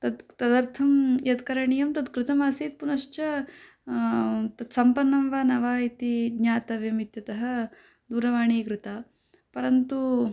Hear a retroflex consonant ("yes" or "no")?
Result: yes